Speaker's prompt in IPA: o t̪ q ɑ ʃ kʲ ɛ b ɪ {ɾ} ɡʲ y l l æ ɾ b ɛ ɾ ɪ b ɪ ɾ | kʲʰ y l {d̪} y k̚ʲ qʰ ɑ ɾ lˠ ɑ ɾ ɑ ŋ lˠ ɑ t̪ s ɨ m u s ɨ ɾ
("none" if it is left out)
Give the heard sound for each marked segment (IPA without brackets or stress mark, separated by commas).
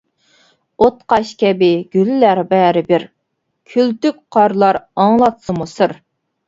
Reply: none, t̪